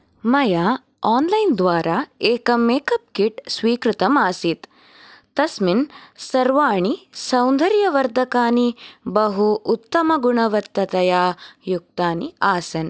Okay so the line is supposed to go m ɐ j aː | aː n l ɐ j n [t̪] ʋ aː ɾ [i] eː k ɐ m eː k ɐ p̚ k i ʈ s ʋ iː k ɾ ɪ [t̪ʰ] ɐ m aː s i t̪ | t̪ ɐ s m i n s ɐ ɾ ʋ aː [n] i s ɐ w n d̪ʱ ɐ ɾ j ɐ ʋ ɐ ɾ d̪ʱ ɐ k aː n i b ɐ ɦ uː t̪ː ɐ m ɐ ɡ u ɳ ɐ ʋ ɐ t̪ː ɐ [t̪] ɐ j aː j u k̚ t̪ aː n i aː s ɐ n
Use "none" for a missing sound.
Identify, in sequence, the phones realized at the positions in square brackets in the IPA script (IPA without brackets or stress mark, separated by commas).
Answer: d̪, a, t̪, ɳ, t̪